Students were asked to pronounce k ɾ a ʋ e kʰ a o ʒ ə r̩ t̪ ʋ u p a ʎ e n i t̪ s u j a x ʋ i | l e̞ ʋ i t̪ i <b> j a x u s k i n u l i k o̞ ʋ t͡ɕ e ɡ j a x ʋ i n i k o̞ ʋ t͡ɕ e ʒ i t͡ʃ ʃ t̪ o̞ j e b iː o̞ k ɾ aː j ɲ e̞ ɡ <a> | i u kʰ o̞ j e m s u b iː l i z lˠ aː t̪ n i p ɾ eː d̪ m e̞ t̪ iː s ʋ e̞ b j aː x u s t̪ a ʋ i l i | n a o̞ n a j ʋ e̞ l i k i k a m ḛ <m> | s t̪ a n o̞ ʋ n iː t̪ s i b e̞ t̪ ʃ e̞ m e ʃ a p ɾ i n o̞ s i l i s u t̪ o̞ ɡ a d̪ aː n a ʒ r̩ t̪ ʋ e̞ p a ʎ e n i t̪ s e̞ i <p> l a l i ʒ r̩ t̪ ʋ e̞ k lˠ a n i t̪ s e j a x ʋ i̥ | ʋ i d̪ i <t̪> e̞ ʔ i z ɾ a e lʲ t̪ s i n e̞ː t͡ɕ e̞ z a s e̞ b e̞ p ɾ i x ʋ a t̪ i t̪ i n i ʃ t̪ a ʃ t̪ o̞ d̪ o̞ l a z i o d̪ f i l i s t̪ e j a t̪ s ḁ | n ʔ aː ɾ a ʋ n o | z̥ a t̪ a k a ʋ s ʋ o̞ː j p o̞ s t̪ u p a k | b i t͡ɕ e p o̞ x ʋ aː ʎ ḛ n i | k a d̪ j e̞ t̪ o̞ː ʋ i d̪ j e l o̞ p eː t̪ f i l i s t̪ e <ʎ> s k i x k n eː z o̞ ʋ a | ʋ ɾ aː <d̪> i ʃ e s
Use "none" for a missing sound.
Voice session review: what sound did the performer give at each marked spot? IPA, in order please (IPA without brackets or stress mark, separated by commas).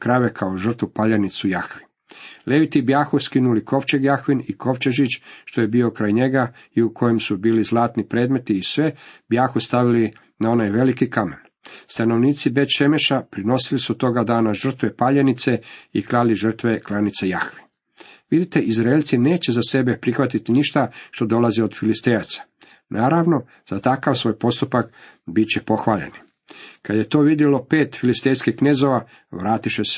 b, a, n, k, t̪, j, t̪